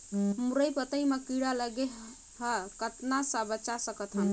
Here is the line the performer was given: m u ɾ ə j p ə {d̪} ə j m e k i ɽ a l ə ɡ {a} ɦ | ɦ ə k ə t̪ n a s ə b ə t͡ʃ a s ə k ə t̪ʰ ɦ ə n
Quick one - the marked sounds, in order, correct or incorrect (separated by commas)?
incorrect, incorrect